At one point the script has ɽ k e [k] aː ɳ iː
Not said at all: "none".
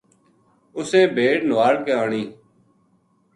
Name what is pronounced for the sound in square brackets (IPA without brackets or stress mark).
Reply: none